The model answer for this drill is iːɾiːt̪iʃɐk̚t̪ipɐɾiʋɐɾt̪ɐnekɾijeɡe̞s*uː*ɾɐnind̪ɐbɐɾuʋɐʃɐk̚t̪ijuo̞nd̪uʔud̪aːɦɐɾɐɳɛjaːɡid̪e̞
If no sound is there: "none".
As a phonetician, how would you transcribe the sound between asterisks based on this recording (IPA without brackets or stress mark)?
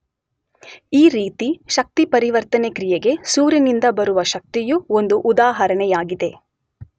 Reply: uː